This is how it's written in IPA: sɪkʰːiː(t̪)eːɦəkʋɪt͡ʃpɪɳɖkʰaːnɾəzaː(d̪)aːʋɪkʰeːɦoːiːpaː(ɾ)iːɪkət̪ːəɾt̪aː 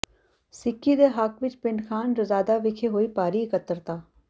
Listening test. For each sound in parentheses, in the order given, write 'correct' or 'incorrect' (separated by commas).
incorrect, correct, correct